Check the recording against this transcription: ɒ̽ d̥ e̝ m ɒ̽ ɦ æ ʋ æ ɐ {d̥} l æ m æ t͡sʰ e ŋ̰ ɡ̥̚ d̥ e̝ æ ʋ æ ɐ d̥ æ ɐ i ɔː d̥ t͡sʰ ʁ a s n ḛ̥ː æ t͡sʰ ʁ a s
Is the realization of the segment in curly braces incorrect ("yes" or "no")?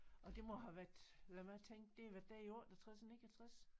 no